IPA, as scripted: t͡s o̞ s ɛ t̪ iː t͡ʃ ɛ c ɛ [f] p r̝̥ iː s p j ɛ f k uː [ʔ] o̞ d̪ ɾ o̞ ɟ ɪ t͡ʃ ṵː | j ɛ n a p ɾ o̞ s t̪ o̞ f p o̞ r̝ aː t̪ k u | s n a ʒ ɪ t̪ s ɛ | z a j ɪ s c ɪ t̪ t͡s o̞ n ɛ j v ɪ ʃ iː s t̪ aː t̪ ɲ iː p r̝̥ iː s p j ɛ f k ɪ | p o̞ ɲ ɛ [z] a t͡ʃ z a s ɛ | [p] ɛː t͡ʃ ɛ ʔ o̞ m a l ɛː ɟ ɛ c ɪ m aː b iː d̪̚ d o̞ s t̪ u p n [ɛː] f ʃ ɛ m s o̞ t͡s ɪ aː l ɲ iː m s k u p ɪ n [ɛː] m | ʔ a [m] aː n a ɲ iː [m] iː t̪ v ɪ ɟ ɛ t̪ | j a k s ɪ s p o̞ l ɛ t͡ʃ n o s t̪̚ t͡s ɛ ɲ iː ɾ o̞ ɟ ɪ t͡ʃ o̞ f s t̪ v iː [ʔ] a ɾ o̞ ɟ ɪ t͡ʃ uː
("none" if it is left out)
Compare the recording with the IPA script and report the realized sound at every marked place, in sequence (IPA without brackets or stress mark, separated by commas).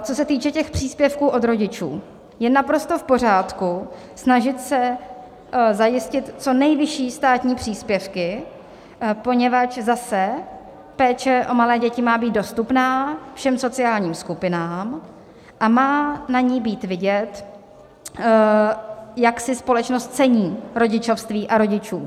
x, ʔ, v, p, aː, aː, m, b, ʔ